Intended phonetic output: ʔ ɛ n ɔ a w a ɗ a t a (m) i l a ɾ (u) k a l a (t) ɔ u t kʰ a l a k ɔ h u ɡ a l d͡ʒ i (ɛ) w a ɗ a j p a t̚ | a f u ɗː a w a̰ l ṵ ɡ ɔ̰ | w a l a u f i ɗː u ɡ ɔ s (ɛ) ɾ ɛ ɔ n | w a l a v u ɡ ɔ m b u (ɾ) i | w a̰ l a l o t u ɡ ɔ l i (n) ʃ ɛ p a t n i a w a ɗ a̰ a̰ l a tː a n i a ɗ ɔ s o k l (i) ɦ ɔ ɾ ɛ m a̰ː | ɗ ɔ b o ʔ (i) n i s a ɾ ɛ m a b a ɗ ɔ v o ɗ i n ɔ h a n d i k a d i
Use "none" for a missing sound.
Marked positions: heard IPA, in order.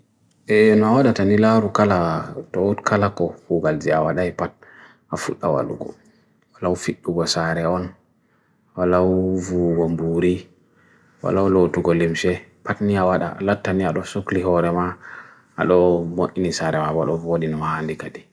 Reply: n, u, t, a, a, ɾ, m, i, i

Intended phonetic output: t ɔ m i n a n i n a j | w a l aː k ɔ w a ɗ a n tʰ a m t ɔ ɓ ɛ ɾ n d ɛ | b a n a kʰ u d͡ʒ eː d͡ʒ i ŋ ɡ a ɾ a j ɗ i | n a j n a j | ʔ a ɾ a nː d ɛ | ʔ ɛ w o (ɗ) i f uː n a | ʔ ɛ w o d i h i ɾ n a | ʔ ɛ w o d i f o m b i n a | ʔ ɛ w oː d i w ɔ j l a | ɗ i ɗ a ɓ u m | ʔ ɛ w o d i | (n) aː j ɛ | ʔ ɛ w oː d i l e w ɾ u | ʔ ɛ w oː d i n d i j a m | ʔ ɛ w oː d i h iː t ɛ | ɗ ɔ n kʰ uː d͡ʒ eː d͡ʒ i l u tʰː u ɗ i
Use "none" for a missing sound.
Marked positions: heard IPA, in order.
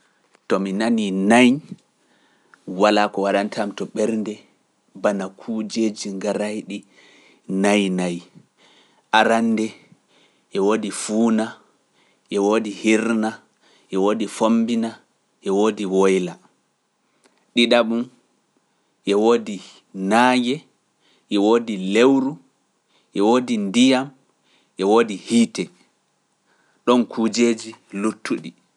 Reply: d, n

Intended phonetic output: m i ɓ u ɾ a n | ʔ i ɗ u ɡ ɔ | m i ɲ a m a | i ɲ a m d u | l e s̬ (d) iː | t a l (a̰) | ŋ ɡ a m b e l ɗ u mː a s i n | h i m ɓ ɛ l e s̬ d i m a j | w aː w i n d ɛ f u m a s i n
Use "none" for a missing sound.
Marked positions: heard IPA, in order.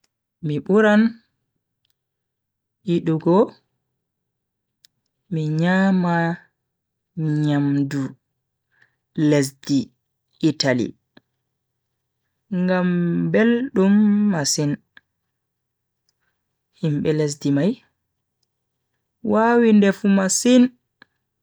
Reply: d, ḭ

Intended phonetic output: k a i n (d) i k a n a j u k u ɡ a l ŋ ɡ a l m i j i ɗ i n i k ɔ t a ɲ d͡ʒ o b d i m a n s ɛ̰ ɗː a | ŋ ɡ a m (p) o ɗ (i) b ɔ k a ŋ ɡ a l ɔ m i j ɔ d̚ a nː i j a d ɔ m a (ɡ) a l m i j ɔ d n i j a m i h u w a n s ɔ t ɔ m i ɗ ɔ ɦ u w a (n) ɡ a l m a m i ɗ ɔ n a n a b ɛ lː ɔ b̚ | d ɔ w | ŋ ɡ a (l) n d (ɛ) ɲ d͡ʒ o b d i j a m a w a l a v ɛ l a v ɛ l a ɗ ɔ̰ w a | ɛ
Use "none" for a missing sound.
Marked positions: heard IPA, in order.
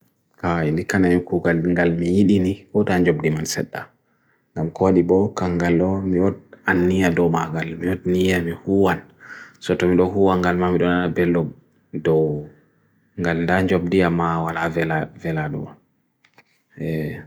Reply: d, k, i, ɡ, ŋ, l, a

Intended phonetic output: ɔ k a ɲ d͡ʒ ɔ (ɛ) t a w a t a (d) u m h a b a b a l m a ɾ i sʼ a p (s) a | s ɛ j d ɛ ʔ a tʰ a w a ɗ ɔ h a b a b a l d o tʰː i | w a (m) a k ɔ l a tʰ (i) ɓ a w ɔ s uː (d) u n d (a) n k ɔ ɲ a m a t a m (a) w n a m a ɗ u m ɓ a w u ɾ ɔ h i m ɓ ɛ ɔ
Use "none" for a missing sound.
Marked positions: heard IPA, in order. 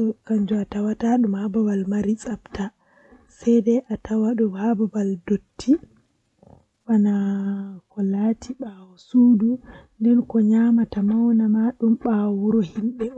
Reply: a, ɗ, t, n, i, d, ɛ, a

